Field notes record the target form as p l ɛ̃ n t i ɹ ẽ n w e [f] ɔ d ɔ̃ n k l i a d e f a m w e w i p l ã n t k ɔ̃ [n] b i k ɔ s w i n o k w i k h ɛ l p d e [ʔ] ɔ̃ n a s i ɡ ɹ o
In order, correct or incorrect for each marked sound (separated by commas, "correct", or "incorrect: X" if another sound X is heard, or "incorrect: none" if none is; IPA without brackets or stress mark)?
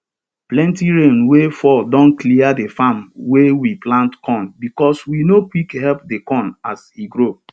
correct, correct, incorrect: k